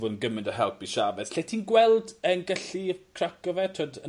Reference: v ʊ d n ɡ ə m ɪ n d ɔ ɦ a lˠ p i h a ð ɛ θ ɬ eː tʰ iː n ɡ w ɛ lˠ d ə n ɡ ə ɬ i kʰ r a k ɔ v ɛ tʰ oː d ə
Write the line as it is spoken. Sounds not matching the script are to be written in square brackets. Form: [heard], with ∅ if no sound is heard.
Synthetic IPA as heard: v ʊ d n ɡ ə m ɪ n d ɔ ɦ [ɛ] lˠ p i [ʃ] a [v] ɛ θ ɬ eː tʰ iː n ɡ w ɛ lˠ d ə n ɡ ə ɬ i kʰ r a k ɔ v ɛ tʰ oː d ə